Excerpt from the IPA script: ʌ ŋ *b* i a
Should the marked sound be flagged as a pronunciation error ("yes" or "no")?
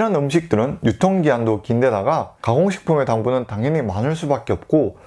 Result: yes